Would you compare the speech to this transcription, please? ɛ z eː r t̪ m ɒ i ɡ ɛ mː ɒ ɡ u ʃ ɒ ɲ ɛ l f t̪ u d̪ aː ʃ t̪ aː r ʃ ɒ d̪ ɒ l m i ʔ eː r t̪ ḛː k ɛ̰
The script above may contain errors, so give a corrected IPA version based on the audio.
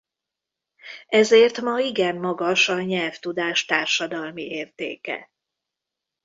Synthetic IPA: ɛ z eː r t̪ m ɒ i ɡ ɛ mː ɒ ɡ ɒ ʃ ɒ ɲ ɛ l f t̪ u d̪ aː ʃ t̪ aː r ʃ ɒ d̪ ɒ l m i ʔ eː r t̪ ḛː k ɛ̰

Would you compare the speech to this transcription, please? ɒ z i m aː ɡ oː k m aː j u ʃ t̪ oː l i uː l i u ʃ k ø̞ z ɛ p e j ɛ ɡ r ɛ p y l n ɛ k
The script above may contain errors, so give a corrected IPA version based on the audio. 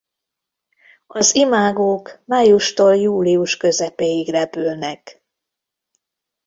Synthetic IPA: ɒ z i m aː ɡ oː k m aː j u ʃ t̪ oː l j uː l i u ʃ k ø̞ z ɛ p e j i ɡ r ɛ p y l n ɛ k

